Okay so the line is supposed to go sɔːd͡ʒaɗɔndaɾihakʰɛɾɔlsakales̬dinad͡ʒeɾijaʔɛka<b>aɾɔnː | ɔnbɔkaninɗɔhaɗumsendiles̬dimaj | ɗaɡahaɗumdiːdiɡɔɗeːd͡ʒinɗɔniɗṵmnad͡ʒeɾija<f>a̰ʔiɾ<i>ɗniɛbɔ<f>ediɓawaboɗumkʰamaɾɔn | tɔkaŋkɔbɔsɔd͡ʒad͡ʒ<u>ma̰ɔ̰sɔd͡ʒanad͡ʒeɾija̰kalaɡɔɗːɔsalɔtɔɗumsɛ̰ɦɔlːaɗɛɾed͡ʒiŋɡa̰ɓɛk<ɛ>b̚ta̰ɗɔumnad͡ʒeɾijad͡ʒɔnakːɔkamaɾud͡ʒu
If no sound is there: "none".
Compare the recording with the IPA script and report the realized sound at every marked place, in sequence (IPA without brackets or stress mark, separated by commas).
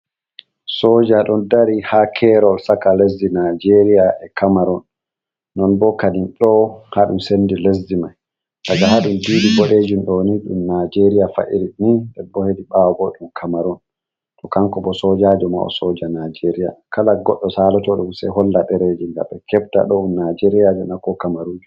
m, f, i, h, ɔ, ɛ